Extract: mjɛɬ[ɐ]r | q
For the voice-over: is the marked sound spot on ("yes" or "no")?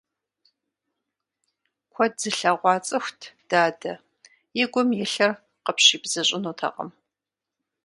yes